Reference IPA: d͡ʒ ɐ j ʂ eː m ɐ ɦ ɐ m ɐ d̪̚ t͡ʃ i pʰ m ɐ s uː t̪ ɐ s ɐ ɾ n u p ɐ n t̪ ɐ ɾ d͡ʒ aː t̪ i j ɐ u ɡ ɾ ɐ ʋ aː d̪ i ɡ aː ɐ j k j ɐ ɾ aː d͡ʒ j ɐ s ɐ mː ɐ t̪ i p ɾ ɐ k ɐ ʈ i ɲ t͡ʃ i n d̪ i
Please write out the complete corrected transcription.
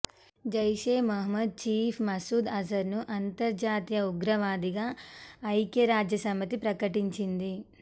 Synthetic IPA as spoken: d͡ʒ ɐ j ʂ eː m ɐ ɦ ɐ m ɐ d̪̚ t͡ʃ iː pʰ m ɐ s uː d̪ ɐ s ɐ ɾ n u ʔ ɐ n t̪ ɐ ɾ d͡ʒ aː t̪ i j ɐ u ɡ ɾ ɐ ʋ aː d̪ i ɡ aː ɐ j k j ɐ ɾ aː d͡ʒ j ɐ s ɐ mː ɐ t̪ i p ɾ ɐ k ɐ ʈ i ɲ t͡ʃ i n d̪ i